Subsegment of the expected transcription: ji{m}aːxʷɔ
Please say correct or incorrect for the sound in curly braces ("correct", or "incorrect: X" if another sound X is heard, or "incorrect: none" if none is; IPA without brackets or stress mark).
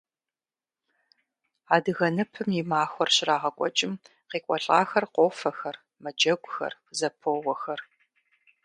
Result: correct